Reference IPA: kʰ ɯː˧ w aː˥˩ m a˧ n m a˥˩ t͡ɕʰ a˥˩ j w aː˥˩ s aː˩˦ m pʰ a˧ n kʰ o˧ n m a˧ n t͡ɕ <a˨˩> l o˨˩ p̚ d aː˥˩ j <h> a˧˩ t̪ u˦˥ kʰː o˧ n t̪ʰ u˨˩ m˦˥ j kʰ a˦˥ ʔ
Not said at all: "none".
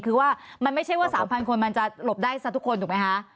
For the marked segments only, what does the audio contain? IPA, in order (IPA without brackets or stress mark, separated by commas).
a˨˩, s